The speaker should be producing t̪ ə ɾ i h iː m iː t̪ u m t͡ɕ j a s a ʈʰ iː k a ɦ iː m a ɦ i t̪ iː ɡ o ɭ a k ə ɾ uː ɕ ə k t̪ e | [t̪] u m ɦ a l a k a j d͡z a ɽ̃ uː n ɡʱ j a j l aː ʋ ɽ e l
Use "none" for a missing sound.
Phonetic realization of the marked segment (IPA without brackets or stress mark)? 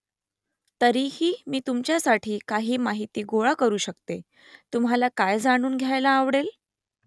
t̪